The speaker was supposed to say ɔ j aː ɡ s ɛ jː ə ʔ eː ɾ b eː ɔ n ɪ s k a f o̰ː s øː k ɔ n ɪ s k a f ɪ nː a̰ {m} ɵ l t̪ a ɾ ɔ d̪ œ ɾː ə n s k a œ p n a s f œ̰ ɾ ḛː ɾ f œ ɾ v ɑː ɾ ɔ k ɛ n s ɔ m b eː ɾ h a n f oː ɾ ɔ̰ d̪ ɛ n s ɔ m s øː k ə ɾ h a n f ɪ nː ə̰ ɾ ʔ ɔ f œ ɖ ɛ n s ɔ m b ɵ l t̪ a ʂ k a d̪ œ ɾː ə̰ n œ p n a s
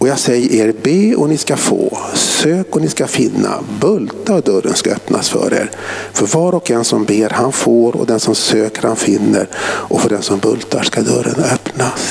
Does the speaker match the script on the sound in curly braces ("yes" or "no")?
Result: no